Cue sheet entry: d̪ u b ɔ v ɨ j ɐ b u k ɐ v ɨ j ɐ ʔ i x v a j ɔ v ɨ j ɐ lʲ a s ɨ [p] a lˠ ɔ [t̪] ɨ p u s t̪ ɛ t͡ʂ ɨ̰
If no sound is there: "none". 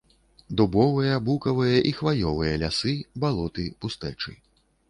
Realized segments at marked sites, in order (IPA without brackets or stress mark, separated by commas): b, t̪